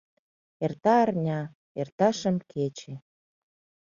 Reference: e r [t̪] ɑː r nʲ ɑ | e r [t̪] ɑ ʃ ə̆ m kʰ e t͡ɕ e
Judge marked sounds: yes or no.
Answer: yes, yes

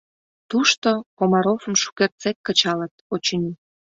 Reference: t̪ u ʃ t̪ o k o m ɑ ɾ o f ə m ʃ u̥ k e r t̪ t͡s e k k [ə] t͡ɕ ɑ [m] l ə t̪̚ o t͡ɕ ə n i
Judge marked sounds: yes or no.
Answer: yes, no

